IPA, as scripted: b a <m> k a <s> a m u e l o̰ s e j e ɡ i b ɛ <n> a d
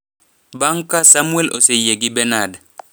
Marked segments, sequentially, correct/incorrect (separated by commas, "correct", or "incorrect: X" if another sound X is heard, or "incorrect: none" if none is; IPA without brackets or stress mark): incorrect: ŋ, correct, correct